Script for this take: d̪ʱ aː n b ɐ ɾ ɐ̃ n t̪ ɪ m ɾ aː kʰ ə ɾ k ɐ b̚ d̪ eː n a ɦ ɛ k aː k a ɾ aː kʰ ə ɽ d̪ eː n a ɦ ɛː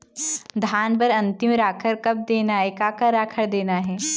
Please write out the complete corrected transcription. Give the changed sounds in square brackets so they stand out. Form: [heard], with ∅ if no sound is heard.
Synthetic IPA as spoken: d̪ʱ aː n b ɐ ɾ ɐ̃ n t̪ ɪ m ɾ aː kʰ ə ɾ k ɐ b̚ d̪ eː n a ɦ ɛ k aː k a ɾ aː kʰ ə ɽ d̪ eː n a ɦ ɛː